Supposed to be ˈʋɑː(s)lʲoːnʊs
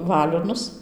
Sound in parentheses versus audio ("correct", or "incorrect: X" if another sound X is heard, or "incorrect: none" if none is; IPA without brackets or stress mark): incorrect: none